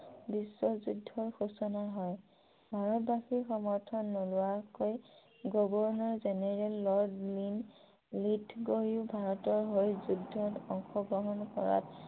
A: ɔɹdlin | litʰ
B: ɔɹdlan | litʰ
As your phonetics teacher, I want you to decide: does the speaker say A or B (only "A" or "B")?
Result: A